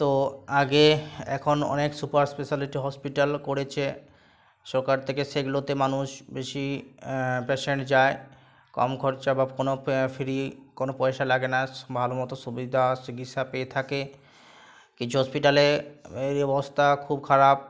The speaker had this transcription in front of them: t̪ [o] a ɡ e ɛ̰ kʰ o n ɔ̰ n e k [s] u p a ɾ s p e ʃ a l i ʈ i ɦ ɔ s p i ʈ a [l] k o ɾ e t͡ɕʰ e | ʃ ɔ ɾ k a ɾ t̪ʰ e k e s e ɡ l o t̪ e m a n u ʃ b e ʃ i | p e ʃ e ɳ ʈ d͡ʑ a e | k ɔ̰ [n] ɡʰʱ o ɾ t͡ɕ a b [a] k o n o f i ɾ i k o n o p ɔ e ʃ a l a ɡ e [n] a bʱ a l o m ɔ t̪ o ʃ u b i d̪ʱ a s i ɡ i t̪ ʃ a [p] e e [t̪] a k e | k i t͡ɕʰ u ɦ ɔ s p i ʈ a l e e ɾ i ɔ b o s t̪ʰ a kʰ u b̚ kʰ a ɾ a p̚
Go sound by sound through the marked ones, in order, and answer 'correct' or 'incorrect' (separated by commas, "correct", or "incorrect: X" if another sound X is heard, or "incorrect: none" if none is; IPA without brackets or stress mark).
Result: correct, correct, correct, incorrect: m, correct, correct, correct, incorrect: t̪ʰ